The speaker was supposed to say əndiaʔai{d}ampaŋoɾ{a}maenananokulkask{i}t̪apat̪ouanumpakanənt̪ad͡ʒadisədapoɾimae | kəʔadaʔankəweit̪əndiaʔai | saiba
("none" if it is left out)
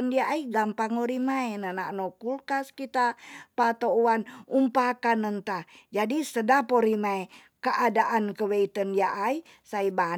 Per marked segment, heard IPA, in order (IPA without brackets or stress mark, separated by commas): ɡ, i, i